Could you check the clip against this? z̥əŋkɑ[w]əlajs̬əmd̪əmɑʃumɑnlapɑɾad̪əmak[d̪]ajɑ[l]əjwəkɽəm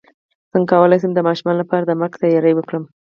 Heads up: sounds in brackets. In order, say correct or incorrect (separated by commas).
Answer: correct, incorrect, incorrect